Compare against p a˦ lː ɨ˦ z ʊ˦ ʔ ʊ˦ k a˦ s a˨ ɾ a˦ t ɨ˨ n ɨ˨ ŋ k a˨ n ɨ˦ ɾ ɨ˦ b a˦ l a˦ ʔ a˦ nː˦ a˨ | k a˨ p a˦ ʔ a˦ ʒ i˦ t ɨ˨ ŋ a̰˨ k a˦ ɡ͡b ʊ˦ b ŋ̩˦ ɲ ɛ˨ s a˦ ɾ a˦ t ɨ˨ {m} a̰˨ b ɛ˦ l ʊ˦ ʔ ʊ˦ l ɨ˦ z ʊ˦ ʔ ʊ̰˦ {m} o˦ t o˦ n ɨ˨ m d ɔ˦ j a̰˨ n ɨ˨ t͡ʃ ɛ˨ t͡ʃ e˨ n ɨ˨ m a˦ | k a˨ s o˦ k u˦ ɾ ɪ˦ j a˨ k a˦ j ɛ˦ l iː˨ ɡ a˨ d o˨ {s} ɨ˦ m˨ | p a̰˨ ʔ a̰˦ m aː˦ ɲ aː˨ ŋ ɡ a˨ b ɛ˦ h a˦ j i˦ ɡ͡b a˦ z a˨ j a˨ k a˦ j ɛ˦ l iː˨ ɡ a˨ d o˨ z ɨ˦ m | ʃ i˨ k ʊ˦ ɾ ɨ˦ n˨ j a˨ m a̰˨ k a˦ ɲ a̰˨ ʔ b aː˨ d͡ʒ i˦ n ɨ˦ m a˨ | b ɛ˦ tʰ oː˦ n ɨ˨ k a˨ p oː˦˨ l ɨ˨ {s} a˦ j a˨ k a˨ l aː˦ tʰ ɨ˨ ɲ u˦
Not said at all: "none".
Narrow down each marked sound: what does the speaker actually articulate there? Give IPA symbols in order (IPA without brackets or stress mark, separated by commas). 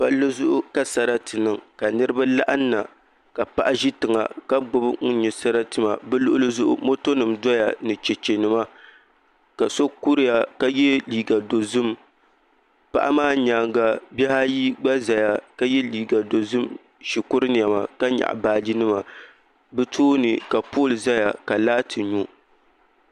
m, m, z, z